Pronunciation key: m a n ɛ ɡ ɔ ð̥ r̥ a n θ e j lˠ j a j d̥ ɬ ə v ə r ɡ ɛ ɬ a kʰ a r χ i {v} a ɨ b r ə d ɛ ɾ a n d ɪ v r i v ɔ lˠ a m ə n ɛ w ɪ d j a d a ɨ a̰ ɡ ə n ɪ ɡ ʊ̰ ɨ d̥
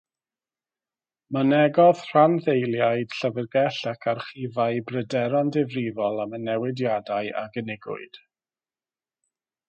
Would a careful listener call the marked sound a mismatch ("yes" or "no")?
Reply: no